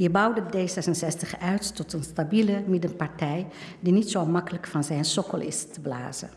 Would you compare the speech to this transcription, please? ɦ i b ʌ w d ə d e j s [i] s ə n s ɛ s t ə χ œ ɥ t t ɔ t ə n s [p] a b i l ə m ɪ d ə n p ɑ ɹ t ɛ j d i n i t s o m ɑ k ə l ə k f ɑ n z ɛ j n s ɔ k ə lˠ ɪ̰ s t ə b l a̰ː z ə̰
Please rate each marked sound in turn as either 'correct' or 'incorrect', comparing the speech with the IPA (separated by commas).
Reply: incorrect, incorrect